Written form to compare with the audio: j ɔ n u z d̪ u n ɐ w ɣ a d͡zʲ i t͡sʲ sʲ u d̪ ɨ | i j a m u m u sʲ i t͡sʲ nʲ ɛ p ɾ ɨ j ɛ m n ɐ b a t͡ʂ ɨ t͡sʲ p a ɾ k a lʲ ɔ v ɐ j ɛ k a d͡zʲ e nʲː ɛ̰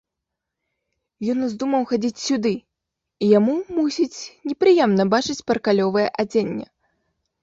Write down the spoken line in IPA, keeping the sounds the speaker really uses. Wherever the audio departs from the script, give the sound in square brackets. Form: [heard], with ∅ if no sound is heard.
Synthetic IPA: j ɔ n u z d̪ u [m] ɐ w [x] a d͡zʲ i t͡sʲ sʲ u d̪ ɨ | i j a m u m u sʲ i t͡sʲ nʲ ɛ p ɾ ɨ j ɛ m n ɐ b a t͡ʂ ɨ t͡sʲ p [ɐ] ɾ k a lʲ ɔ v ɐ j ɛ [ʔ] a d͡zʲ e nʲː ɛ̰